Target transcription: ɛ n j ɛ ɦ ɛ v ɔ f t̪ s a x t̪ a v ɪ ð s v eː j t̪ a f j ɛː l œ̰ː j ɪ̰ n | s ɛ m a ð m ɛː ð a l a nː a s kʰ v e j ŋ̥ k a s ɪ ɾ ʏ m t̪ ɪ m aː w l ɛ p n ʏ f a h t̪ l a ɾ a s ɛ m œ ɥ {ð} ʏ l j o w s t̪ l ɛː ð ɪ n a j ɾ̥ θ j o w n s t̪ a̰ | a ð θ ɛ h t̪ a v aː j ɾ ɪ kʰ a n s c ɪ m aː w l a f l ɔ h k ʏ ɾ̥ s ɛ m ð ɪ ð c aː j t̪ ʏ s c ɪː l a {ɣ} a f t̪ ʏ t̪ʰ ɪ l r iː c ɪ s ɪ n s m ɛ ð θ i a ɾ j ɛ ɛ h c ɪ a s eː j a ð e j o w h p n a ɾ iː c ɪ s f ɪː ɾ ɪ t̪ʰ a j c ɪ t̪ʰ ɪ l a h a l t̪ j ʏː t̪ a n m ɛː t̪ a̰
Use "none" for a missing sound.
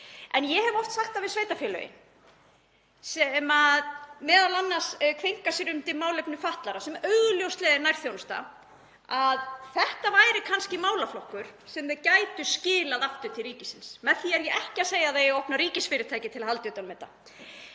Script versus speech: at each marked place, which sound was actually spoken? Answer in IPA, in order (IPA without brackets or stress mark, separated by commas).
ɣ, ð